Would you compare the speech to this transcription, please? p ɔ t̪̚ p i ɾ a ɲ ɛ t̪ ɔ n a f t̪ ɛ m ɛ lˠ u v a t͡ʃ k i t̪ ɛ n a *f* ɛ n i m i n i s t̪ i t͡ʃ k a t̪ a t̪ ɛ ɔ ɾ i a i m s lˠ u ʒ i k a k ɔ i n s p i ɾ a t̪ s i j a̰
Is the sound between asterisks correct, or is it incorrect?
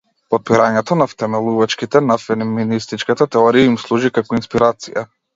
correct